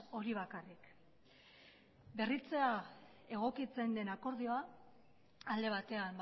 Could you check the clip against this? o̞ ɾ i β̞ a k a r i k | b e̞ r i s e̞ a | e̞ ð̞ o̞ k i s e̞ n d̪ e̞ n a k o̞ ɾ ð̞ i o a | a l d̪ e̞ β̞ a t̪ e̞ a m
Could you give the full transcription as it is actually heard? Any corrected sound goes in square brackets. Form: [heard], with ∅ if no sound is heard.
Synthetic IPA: o̞ ɾ i β̞ a k a r i k | b e̞ r i [t͡s] e̞ a | e̞ [ɣ̞] o̞ k i [t͡s] e̞ n d̪ e̞ n a k o̞ ɾ ð̞ i o a | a l d̪ e̞ β̞ a t̪ e̞ a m